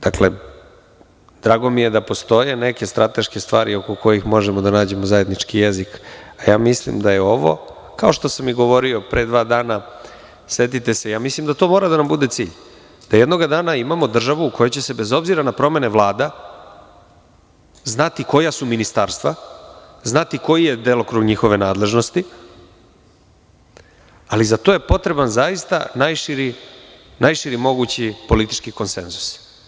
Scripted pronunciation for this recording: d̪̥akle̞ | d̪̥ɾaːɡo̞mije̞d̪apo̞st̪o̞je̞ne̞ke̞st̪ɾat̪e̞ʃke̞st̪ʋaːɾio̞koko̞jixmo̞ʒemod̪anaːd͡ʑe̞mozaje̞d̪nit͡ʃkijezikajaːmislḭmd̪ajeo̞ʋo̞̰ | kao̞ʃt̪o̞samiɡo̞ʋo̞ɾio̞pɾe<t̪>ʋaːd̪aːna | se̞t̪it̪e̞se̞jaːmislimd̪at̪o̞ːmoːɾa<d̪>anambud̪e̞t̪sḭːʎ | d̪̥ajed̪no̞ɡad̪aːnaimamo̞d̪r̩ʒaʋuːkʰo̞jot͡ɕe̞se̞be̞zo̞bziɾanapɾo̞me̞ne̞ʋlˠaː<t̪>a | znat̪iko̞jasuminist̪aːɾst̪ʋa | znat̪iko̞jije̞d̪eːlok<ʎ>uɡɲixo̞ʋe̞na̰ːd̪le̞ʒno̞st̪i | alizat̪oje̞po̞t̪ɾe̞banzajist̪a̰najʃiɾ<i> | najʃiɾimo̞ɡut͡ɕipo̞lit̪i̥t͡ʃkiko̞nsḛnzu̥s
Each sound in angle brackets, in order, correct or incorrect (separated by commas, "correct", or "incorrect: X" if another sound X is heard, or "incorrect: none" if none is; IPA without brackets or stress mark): incorrect: d̪, correct, incorrect: d̪, incorrect: ɾ, correct